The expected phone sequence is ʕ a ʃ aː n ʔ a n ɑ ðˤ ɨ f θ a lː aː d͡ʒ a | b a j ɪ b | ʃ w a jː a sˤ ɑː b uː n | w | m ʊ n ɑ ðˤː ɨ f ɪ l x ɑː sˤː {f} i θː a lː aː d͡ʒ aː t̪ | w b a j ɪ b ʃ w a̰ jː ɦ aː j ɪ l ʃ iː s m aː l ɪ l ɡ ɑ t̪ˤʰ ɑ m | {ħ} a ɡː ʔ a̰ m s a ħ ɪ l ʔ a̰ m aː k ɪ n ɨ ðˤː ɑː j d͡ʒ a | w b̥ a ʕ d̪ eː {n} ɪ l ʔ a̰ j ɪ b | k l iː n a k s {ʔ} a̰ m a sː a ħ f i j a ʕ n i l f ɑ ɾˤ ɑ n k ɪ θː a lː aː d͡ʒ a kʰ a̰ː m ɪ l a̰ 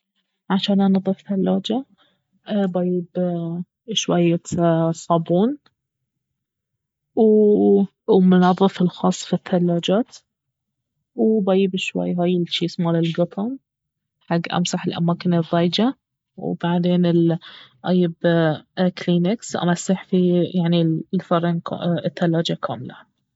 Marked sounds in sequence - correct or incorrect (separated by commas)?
correct, correct, correct, correct